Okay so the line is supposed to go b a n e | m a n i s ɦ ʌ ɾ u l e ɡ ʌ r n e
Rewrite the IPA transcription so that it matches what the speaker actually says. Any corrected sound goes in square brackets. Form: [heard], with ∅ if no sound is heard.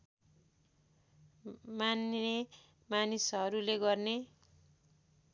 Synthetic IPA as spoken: [m] a n e | m a n i s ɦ ʌ ɾ u l e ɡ ʌ r n e